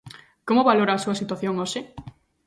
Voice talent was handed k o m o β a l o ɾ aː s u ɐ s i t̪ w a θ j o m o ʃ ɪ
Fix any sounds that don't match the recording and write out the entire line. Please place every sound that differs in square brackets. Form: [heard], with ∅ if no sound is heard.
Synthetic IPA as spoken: k o m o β a l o ɾ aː s u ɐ s i t̪ w a θ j o [ŋ] o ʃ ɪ